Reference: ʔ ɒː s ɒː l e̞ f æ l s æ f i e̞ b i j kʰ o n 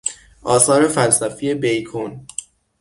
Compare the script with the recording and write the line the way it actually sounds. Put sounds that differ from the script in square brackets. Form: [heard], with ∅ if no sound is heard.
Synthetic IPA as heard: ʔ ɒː s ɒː [ɾ] e̞ f æ l s æ f i e̞ b [e] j kʰ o n